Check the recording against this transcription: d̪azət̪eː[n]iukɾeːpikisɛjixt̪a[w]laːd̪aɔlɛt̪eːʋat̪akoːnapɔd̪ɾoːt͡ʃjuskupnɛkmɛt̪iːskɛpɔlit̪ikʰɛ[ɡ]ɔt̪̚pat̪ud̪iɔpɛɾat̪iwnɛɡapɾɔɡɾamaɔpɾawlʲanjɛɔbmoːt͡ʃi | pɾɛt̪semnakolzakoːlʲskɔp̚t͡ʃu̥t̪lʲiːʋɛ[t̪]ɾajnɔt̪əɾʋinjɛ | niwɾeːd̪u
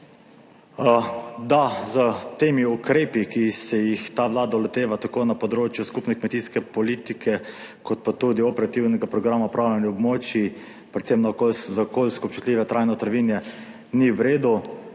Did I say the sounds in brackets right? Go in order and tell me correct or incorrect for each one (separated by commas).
incorrect, incorrect, incorrect, correct